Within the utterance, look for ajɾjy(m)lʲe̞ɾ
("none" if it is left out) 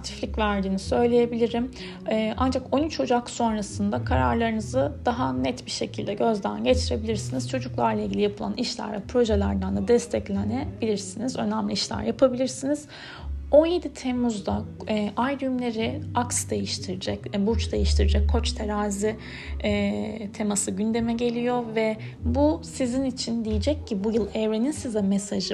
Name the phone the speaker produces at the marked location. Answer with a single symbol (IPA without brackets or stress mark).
m